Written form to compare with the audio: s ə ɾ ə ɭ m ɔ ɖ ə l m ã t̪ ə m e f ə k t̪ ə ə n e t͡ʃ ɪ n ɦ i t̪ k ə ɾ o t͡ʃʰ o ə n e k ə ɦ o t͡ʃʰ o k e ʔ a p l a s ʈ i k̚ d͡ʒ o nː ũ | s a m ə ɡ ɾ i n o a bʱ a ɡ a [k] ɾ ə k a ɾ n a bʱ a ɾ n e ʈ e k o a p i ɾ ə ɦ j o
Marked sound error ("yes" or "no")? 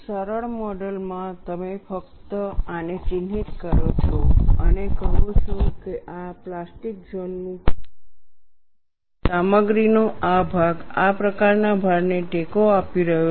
yes